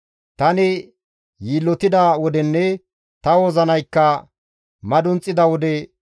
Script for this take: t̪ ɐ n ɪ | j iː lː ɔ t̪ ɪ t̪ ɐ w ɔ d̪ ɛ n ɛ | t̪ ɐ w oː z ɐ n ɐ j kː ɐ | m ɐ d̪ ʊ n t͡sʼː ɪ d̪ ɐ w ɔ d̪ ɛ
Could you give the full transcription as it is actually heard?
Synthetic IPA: t̪ ɐ n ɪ | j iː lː ɔ t̪ ɪ d̪ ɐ w ɔ d̪ ɛ nː ɛ | t̪ ɐ w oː z ɐ n ɐ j kː ɐ | m ɐ d̪ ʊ n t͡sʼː ɪ d̪ ɐ w ɔ d̪ ɛ